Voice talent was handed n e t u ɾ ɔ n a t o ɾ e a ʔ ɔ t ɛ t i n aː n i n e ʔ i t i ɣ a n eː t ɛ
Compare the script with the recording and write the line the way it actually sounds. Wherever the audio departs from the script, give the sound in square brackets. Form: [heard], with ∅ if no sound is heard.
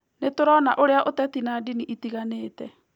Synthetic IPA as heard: n e t [o] ɾ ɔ n a [ʔ] o ɾ e a ʔ [o] t ɛ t i n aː [d] i n [i] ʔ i t i ɣ a n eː t ɛ